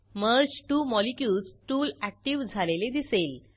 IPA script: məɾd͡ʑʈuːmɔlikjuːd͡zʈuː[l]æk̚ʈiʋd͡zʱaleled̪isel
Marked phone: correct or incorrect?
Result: correct